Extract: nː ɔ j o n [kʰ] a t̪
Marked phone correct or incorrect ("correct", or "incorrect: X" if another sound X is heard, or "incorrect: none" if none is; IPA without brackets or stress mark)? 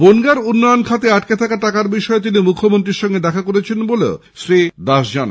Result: correct